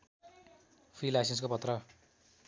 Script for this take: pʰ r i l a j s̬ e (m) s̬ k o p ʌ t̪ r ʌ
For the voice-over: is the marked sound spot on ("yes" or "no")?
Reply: no